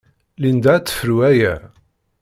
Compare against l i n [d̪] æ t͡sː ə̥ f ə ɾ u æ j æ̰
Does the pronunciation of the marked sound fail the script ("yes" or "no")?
no